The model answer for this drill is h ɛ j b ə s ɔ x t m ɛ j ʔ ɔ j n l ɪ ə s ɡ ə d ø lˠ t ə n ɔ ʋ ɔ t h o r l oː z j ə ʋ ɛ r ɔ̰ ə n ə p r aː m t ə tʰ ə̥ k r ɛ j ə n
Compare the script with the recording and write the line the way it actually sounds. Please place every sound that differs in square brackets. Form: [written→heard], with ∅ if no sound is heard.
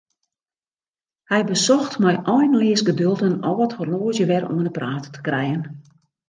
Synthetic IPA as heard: h ɛ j b ə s ɔ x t m ɛ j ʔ ɔ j n l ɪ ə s ɡ ə d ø lˠ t ə n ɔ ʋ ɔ t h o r l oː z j ə ʋ ɛ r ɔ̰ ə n ə p r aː [m→∅] t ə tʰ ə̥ k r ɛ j ə n